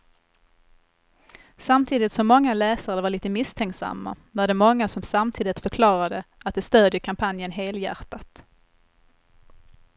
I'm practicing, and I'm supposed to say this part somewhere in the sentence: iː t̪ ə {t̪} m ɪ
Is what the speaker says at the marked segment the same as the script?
no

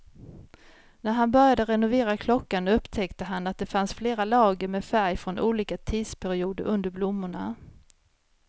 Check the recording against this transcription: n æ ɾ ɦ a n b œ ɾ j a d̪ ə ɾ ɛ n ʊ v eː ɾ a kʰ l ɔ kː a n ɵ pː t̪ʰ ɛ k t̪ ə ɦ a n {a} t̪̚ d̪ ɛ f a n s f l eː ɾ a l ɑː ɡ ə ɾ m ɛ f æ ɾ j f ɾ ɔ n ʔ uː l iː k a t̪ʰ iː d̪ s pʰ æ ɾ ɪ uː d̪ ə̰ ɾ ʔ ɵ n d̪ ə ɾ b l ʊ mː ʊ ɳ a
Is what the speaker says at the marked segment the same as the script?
yes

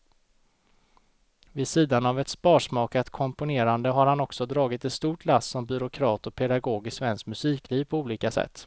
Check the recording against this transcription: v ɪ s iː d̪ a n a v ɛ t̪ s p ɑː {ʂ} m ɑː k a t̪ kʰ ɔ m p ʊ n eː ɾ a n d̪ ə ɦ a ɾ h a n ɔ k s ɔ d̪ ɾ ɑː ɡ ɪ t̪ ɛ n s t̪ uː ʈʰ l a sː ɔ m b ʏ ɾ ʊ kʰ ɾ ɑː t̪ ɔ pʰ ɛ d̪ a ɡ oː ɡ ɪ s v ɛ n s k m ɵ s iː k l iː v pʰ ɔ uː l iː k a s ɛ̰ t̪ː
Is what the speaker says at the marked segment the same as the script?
yes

